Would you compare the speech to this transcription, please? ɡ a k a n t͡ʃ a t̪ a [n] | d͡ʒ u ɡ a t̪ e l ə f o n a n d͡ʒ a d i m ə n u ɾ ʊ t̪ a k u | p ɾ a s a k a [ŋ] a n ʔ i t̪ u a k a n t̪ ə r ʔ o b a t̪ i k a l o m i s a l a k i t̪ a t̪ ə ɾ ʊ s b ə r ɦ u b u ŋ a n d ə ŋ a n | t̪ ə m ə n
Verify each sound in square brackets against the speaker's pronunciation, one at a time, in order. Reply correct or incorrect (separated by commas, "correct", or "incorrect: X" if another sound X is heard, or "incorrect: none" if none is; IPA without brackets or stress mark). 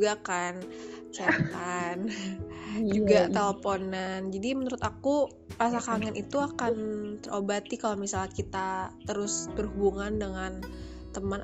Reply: correct, correct